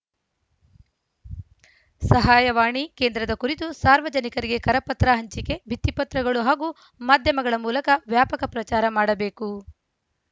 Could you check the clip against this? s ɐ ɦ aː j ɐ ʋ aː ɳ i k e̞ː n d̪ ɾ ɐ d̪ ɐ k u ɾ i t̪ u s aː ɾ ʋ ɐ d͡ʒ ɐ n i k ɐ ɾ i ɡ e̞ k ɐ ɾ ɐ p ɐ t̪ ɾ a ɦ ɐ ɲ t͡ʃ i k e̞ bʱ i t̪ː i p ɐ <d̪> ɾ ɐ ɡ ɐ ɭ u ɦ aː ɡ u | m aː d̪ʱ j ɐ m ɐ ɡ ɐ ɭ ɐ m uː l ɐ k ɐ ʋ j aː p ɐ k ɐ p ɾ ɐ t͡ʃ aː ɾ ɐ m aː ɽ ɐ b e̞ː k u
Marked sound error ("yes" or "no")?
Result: yes